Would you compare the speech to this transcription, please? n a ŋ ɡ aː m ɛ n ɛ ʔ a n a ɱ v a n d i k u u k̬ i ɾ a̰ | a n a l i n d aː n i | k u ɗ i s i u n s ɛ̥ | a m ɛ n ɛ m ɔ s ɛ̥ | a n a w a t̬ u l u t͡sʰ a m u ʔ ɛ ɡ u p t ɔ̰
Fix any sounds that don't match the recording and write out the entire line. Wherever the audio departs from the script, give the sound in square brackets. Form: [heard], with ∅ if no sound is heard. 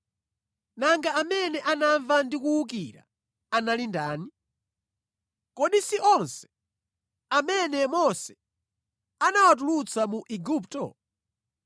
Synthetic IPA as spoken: n a ŋ ɡ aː m ɛ n ɛ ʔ a n a ɱ v a n d i k u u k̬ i ɾ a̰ | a n a l i n d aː n i | k [ɔ] ɗ i s i [ɔ] n s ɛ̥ | a m ɛ n ɛ m ɔ s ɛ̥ | a n a w a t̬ u l u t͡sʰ a m u ʔ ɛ ɡ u p t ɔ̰

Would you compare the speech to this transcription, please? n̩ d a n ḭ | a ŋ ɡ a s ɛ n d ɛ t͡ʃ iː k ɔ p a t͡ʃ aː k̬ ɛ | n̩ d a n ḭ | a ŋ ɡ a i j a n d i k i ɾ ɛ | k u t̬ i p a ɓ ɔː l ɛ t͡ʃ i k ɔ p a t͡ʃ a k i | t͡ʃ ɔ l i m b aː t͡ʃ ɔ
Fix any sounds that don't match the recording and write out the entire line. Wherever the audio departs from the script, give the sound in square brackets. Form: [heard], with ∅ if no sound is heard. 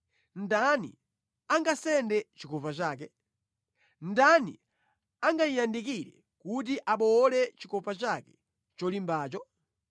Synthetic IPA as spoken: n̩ d a n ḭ | a ŋ ɡ a s ɛ n d ɛ t͡ʃ [i] k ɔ p a t͡ʃ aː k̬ ɛ | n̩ d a n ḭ | a ŋ ɡ a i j a n d i k i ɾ ɛ | k u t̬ i [ʔ] a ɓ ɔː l ɛ t͡ʃ i k ɔ p a t͡ʃ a k [ɛ] | t͡ʃ ɔ l i m b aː t͡ʃ ɔ

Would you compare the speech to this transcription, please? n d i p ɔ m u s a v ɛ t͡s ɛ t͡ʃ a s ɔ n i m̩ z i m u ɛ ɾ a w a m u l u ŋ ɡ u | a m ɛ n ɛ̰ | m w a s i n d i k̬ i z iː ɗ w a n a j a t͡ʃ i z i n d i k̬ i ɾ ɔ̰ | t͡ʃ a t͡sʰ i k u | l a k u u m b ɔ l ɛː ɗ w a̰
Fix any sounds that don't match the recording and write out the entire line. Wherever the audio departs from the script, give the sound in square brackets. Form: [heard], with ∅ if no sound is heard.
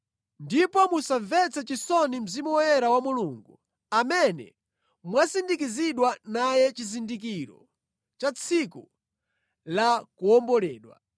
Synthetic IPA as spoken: n d i p ɔ m u s a v ɛ t͡s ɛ t͡ʃ [i] s ɔ n i m̩ z i m u ɛ ɾ a w a m u l u ŋ ɡ u | a m ɛ n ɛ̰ | m w a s i n d i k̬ i z [i] ɗ w a n a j [ɛ] t͡ʃ i z i n d i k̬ i ɾ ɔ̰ | t͡ʃ a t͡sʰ i k u | l a k u [ɔ] m b ɔ l ɛː ɗ w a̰

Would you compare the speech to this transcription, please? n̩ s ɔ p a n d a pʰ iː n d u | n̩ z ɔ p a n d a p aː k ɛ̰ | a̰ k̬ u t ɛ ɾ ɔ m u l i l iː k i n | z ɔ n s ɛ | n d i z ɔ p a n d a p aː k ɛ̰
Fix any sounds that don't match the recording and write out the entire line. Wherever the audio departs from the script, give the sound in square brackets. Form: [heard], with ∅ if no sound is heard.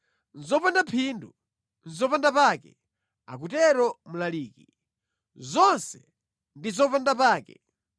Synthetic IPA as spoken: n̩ [z] ɔ p a n d a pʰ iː n d u | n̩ z ɔ p a n d a p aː k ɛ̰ | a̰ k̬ u t ɛ ɾ ɔ m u l [a] l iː k i [∅] | z ɔ n s ɛ | n d i z ɔ p a n d a p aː k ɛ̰

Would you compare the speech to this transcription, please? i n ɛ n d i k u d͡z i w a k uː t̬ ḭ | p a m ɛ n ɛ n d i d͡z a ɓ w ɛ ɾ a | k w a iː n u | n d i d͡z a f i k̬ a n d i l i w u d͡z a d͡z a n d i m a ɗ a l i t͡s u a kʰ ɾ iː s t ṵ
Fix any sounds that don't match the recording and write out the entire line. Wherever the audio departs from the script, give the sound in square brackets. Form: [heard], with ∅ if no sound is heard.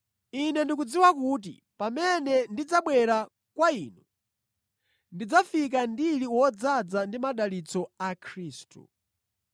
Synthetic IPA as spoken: i n ɛ n d i k u d͡z i w a k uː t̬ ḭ | p a m ɛ n ɛ n d i d͡z a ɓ w ɛ ɾ a | k w a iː n u | n d i d͡z a f i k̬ a n d i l i w [ɔ] d͡z a d͡z a n d i m a ɗ a l i t͡s [ɔ] a kʰ ɾ iː s t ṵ

